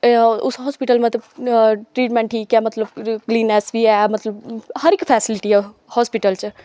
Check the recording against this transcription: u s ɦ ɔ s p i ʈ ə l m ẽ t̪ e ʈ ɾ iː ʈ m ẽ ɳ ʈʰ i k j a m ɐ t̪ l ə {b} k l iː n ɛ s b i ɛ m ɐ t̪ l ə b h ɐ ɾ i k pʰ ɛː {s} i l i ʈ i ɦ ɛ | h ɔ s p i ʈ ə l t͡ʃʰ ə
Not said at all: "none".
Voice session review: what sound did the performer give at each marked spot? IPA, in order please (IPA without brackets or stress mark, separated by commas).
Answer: b, s